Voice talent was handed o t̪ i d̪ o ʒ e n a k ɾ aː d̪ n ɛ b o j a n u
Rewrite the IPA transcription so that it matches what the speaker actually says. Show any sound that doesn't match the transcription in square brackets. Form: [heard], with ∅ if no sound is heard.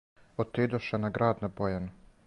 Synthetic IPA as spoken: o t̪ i d̪ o [ʃ] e n a [ɡ] ɾ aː d̪ n [a] b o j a n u